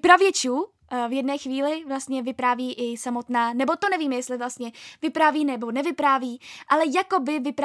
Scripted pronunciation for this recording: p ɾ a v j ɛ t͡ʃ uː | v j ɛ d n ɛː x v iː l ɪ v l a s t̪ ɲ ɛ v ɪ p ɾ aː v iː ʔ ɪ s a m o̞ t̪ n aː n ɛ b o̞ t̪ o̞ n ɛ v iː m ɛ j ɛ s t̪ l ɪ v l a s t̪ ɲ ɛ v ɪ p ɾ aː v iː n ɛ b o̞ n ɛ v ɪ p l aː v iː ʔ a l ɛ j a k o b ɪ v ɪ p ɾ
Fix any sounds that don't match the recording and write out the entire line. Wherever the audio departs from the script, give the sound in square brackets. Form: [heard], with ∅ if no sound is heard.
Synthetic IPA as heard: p ɾ a v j ɛ t͡ʃ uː | v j ɛ d n ɛː x v iː l ɪ v l a s t̪ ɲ ɛ v ɪ p ɾ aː v iː ʔ ɪ s a m o̞ t̪ n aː n ɛ b o̞ t̪ o̞ n ɛ v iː m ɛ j ɛ s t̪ l ɪ v l a s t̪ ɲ ɛ v ɪ p ɾ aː v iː n ɛ b o̞ n ɛ v ɪ p [ɾ] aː v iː ʔ a l ɛ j a k o b ɪ v ɪ p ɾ